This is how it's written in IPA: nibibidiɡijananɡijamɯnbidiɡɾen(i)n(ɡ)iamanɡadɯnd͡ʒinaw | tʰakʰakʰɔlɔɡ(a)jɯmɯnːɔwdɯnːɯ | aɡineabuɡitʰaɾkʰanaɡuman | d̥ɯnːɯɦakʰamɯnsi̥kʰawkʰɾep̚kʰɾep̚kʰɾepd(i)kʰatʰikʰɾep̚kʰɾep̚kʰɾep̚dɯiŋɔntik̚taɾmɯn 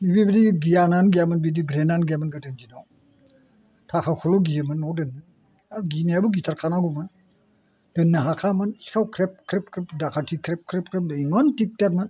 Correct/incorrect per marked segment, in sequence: incorrect, correct, incorrect, incorrect

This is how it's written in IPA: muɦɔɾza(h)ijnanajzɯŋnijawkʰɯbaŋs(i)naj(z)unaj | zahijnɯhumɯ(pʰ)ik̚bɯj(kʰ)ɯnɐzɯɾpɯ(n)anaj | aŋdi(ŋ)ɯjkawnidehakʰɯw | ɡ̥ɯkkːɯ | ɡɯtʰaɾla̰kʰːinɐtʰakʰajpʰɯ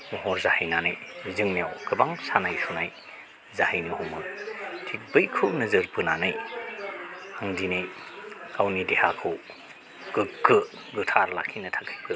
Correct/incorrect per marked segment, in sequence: correct, incorrect, incorrect, incorrect, correct, correct, incorrect

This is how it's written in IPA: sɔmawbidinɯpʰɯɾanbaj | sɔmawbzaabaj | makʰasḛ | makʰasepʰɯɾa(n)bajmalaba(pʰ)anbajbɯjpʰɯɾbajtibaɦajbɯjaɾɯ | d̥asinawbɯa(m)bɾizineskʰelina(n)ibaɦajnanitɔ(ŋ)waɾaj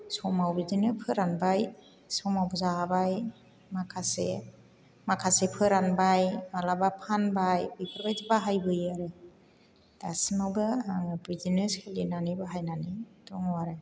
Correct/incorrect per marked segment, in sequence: correct, correct, incorrect, correct, correct

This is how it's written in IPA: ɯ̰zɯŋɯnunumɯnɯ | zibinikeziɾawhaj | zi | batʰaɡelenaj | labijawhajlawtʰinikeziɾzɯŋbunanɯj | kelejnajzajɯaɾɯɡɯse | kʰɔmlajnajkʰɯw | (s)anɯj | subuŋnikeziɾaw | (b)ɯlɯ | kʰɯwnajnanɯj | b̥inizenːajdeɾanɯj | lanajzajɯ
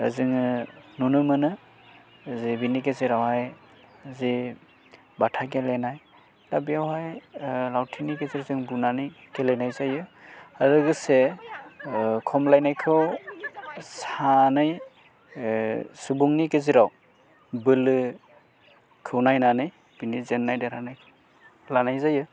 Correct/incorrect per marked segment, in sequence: correct, correct

